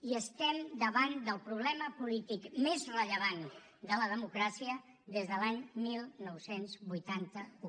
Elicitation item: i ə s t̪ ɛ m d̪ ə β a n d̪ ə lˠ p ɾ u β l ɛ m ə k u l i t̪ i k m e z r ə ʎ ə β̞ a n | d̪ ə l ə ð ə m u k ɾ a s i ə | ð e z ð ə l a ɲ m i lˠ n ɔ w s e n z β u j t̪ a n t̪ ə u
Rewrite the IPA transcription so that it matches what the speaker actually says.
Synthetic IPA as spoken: i ə s t̪ ɛ m d̪ ə β a n d̪ ə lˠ p ɾ u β l ɛ m ə p u l i t̪ i k m e z r ə ʎ ə β̞ a n | d̪ ə l ə ð ə m u k ɾ a s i ə | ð e z ð ə l a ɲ m i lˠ n ɔ w s e n z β u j t̪ a n t̪ ə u